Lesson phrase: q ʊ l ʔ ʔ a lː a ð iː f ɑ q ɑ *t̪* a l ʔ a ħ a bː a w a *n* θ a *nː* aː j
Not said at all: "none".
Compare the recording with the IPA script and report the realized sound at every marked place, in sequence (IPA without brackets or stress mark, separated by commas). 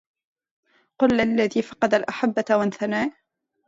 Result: d̪, n, n